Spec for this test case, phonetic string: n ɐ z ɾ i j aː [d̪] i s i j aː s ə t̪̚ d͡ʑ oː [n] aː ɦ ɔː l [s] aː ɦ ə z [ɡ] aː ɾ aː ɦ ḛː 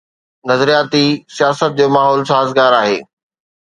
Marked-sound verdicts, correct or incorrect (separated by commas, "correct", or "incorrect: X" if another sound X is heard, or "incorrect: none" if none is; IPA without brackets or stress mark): incorrect: t̪, incorrect: m, correct, correct